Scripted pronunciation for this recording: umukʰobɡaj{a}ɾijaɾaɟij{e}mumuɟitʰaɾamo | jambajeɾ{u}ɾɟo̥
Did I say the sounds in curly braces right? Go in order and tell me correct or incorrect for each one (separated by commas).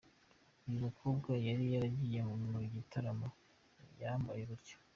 correct, correct, correct